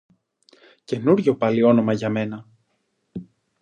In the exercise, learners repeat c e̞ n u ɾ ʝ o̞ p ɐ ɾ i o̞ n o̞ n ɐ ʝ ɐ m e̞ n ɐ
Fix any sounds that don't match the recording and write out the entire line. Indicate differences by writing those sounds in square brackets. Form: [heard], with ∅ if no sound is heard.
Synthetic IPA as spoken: c e̞ n u ɾ ʝ o̞ p ɐ [l] i o̞ n o̞ [m] ɐ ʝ ɐ m e̞ n ɐ

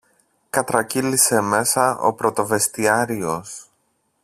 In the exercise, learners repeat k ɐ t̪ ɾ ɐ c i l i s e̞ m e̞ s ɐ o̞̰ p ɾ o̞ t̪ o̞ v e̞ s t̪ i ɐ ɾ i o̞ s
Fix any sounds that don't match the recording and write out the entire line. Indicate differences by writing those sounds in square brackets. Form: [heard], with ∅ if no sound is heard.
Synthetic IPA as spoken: k ɐ t̪ ɾ ɐ c i l i s e̞ m e̞ s ɐ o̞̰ p ɾ o̞ t̪ o̞ v e̞ s t̪ i ɐ ɾ i o̞ s

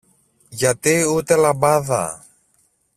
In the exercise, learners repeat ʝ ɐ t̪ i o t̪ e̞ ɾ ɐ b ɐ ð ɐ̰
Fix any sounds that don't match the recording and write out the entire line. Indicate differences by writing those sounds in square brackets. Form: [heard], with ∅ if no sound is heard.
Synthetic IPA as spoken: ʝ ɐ t̪ i [u] t̪ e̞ [l] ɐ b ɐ ð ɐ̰

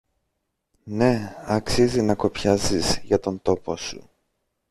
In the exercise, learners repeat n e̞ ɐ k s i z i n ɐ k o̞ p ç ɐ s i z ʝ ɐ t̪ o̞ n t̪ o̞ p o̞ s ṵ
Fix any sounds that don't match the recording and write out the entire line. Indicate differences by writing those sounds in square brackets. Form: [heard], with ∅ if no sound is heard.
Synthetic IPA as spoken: n e̞ ɐ k s i z i n ɐ k o̞ p ç ɐ [z] i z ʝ ɐ t̪ o̞ n t̪ o̞ p o̞ s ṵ

